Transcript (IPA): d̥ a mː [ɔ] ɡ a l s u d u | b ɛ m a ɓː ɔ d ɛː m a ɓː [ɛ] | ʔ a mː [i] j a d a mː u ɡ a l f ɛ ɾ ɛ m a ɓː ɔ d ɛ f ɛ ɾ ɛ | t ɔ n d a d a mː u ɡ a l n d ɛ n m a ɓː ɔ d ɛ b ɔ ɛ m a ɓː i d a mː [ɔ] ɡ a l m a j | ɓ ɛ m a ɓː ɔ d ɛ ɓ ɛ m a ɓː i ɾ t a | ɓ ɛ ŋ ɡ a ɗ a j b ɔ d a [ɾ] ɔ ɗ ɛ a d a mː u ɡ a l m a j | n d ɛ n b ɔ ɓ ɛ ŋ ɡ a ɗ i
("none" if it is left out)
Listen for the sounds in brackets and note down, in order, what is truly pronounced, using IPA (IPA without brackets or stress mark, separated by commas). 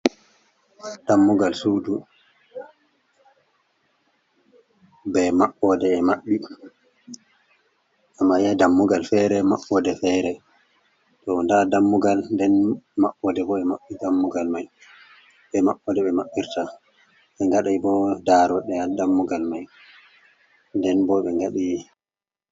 u, i, a, u, ɾ